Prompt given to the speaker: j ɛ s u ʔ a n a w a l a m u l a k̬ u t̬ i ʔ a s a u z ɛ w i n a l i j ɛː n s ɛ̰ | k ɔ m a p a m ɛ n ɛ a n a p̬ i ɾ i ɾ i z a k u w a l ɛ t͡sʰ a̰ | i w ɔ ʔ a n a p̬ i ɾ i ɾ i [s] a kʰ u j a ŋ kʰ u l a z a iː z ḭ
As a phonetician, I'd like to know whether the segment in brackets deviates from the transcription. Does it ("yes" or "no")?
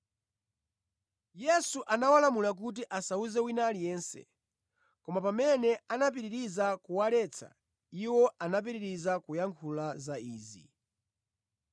yes